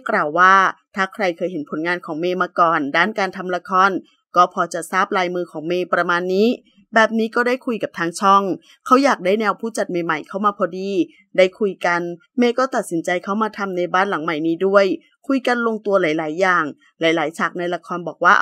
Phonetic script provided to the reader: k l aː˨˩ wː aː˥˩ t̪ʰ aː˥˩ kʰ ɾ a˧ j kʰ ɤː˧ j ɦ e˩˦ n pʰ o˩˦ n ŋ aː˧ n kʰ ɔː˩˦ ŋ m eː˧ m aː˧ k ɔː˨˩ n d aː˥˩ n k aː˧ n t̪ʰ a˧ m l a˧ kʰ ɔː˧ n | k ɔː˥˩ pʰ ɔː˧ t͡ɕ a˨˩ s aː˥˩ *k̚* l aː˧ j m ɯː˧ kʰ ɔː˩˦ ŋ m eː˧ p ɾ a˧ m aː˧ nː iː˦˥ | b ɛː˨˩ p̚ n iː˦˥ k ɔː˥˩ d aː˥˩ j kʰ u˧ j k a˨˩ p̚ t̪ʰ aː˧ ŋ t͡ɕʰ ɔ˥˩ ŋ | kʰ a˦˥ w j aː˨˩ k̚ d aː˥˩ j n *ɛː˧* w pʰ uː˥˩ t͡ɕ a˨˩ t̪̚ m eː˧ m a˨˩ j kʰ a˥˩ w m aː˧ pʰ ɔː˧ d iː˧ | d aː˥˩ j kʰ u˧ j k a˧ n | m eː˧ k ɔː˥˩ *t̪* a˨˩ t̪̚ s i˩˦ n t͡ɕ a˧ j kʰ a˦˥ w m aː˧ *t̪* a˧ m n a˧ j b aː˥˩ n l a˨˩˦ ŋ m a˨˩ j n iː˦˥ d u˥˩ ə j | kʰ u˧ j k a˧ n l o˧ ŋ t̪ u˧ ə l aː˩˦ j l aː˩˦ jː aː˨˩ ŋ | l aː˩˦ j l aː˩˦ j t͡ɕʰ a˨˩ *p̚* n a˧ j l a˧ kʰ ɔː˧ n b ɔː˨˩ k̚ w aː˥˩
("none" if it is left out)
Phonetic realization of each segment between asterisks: p̚, ɛː˧, t̪, t̪ʰ, k̚

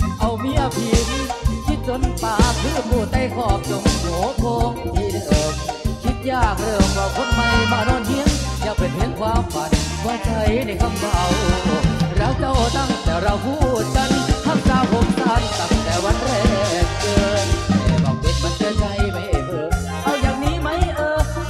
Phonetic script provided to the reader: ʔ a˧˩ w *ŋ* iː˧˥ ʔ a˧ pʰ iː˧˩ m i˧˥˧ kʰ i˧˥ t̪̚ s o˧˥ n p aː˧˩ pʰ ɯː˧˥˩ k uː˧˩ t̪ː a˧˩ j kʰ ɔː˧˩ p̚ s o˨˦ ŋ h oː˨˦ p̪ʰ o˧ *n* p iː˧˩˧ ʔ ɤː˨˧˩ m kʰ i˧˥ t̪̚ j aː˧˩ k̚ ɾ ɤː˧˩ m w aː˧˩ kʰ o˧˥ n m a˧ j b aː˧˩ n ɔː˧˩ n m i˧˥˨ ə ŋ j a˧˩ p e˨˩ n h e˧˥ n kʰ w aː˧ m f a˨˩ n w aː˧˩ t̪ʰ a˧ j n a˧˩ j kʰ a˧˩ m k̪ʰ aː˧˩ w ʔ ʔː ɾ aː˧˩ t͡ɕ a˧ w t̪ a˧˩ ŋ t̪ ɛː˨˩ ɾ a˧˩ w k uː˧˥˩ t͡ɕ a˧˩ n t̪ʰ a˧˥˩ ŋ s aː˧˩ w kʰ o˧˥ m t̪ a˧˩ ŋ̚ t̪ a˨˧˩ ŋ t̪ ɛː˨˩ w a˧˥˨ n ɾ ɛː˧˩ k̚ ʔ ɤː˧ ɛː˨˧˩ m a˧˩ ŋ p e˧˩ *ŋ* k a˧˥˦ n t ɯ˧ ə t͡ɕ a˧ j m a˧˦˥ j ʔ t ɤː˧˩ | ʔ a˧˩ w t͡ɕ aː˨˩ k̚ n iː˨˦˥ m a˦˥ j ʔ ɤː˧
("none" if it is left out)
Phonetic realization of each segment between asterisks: m, ŋ, n

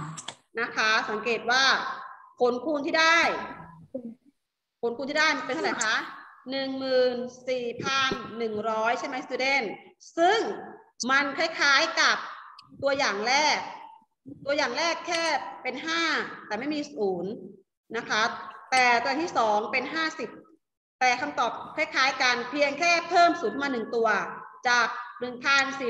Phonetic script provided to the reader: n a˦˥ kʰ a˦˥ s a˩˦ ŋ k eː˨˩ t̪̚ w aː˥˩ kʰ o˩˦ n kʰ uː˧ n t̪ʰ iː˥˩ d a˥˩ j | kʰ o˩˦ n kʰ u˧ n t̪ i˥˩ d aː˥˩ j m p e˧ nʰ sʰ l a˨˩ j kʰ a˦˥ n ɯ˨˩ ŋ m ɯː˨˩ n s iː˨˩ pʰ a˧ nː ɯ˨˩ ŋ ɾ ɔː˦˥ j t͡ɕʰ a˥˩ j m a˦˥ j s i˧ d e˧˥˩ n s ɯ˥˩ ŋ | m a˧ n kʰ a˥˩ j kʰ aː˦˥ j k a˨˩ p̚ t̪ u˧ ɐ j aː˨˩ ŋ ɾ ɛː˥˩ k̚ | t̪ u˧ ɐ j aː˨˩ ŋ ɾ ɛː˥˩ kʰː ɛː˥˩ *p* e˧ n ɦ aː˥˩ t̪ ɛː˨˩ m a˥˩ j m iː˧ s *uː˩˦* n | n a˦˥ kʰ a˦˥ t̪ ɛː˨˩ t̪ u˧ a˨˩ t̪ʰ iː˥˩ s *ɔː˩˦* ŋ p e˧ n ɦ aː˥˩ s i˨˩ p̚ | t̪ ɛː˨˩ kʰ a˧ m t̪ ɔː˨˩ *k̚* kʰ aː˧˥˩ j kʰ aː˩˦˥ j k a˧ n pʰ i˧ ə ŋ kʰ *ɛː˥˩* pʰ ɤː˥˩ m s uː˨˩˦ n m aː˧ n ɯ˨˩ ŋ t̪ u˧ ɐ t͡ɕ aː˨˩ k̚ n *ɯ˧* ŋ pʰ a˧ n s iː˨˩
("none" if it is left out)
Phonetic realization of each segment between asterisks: p, uː˩˦, ɔː˩˦, p̚, ɛː˥˩, ɯ˨˩

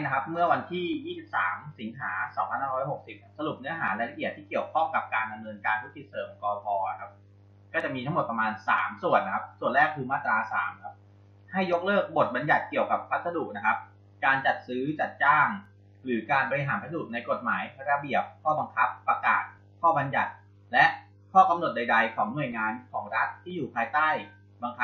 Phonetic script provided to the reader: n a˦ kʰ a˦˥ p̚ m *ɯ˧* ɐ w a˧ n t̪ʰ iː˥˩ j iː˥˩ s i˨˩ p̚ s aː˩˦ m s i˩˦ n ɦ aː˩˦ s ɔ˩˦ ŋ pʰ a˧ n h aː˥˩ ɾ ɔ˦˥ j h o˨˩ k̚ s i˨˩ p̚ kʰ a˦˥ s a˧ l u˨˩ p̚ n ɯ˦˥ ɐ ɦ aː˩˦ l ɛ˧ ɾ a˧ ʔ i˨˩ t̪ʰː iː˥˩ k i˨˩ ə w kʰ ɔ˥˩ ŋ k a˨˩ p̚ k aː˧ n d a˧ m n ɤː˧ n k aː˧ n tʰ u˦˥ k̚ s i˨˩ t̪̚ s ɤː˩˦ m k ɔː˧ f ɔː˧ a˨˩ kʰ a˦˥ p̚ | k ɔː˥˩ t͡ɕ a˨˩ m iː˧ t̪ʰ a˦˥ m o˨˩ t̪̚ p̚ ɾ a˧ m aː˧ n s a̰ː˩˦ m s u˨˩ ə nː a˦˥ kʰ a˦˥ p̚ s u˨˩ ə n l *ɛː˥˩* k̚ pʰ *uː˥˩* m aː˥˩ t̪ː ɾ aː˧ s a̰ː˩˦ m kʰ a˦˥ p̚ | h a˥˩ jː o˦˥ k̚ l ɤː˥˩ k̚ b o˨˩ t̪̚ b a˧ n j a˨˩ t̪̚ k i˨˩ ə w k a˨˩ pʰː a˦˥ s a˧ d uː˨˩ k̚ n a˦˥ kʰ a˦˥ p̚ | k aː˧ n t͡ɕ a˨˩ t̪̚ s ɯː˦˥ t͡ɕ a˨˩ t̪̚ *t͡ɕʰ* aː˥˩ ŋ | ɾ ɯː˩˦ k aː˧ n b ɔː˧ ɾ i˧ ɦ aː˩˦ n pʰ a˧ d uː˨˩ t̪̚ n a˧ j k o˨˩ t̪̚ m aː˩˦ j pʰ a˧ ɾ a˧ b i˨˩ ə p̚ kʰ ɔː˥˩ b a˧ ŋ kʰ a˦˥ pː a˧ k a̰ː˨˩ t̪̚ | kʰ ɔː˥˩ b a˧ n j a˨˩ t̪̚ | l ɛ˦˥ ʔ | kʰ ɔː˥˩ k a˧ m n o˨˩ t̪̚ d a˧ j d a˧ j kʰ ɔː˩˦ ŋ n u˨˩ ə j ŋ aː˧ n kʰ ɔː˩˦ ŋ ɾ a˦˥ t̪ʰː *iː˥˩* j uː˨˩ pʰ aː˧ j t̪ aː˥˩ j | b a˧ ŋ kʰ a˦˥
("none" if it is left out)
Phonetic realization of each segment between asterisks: ɯ˥˩, ɛː˥˩, uː˧, t͡ɕ, iː˥˩

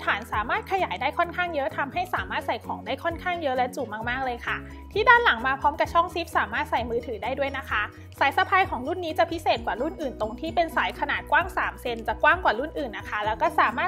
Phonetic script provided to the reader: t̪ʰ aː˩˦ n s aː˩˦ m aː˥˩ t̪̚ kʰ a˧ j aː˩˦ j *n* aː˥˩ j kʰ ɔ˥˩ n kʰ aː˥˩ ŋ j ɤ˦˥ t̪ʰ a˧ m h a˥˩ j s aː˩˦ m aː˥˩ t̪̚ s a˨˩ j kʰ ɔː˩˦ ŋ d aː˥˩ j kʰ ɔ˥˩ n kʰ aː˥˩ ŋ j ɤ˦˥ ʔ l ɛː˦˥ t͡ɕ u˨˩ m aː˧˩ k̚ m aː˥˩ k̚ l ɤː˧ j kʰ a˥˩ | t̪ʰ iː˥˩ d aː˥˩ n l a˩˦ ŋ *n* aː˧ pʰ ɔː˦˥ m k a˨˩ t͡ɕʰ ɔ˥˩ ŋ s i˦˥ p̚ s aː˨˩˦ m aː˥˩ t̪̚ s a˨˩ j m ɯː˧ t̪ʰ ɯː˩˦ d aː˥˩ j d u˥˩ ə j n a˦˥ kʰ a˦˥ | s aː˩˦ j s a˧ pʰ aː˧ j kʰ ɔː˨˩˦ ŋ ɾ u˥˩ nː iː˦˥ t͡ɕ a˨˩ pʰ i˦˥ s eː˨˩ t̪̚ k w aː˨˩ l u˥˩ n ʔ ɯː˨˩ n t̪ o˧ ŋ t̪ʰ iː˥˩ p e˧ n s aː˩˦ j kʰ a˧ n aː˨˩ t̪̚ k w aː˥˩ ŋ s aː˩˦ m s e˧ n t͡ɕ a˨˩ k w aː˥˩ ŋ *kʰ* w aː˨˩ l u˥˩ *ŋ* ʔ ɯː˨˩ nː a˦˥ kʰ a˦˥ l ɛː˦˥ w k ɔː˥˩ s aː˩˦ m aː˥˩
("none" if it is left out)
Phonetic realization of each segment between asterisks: d, m, k, n

